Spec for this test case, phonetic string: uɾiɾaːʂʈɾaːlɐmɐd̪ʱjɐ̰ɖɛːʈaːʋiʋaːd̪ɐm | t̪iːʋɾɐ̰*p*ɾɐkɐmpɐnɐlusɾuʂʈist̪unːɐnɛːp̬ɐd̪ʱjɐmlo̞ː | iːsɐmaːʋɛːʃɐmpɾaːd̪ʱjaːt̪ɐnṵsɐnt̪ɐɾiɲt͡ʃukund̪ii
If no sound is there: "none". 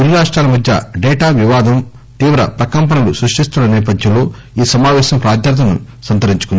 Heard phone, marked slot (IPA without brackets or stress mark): p